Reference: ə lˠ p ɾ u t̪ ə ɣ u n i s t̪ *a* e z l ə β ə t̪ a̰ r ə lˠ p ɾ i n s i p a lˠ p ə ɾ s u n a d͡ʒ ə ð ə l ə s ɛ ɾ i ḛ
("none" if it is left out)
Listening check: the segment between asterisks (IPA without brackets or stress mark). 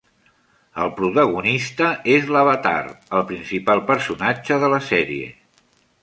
ə